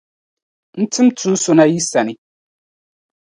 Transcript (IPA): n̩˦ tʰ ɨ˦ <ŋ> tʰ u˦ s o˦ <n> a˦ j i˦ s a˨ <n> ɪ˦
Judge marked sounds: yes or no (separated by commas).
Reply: no, yes, yes